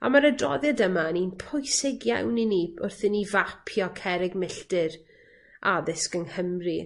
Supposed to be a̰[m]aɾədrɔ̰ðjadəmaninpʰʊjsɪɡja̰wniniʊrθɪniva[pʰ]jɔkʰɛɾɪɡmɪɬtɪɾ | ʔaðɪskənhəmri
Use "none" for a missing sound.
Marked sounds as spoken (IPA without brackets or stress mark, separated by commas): m, pʰ